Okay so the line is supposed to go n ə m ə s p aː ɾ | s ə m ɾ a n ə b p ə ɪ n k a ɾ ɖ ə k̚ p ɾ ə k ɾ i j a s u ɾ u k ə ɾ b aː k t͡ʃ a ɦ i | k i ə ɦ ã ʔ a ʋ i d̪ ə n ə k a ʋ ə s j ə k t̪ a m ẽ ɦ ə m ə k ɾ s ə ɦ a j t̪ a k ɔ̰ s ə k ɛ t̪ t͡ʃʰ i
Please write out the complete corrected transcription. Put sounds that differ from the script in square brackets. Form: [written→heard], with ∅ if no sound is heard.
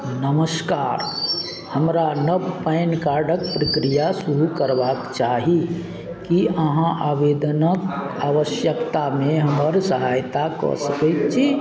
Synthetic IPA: n ə m ə s [p→k] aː ɾ | [s→h] ə m ɾ a n ə b p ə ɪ n k a ɾ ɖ ə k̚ p ɾ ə k ɾ i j a s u ɾ u k ə ɾ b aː k t͡ʃ a ɦ i | k i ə ɦ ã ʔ a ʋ [i→e] d̪ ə n ə k a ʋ ə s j ə k t̪ a m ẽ ɦ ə m ə [k→∅] ɾ s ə ɦ a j t̪ a k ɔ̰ s ə k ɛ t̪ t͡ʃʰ i